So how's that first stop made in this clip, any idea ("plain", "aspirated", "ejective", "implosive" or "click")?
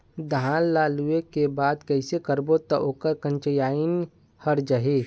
plain